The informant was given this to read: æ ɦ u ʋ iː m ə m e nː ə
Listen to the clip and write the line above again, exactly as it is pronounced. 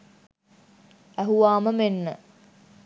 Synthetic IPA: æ ɦ u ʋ aː m ə m e nː ə